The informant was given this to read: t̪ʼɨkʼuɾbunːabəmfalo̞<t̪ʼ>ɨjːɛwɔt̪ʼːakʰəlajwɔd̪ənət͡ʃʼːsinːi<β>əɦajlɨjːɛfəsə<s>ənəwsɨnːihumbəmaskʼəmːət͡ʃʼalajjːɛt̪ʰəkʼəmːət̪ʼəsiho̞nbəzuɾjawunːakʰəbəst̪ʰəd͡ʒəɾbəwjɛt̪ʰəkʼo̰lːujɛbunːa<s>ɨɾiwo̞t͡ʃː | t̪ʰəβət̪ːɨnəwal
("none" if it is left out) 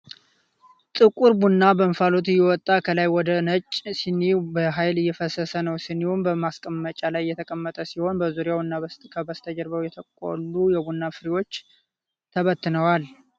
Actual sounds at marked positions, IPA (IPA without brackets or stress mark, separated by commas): t̪, b, s, f